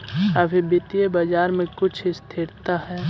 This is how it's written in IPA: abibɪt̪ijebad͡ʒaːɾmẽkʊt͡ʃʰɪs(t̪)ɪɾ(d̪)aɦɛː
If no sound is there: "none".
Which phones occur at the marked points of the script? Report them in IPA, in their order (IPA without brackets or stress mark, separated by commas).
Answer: t̪ʰ, t̪